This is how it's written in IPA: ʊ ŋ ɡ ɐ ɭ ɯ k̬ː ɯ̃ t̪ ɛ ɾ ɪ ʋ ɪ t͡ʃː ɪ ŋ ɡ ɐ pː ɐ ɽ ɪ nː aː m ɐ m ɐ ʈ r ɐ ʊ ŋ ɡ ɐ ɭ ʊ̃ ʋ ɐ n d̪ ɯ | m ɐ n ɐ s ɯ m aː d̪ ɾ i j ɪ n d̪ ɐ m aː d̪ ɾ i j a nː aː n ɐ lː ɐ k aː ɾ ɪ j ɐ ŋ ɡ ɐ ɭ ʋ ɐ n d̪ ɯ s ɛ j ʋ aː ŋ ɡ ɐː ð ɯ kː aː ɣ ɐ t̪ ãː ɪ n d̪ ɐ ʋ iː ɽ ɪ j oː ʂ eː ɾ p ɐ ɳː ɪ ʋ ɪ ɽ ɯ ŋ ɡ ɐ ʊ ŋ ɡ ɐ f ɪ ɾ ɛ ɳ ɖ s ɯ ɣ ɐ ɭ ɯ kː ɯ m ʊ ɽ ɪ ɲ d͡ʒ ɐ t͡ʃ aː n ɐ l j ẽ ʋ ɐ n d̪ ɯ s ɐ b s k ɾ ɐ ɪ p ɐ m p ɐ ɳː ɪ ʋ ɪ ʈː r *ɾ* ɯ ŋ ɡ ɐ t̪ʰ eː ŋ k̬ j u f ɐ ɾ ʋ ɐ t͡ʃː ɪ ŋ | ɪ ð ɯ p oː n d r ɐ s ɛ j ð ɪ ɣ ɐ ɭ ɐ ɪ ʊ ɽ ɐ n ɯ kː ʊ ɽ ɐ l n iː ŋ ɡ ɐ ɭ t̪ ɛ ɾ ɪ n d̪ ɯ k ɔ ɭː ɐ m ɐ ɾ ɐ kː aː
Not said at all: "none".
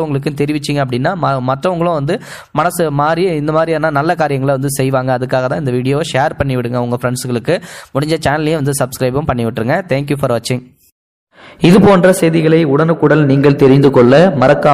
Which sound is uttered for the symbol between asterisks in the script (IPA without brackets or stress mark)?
ɾ